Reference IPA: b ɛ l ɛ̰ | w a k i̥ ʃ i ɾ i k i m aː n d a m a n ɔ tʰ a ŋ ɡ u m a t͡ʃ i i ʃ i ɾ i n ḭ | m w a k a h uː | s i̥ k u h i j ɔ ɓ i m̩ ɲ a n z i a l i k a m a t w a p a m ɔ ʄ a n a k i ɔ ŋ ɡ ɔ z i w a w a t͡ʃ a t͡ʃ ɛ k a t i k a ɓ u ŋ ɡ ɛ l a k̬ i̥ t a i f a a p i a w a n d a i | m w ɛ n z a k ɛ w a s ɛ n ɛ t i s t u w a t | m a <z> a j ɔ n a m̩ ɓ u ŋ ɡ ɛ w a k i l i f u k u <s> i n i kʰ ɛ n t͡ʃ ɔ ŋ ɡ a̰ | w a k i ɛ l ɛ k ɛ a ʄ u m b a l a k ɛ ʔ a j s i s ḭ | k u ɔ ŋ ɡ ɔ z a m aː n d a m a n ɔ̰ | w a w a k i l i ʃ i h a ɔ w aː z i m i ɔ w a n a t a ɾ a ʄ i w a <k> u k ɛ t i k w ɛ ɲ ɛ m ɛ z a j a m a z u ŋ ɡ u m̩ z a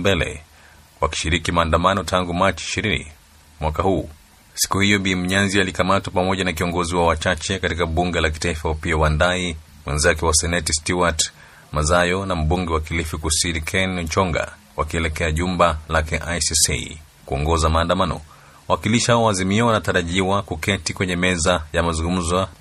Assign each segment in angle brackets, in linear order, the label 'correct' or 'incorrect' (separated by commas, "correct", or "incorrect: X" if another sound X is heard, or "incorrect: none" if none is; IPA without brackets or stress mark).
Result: correct, correct, correct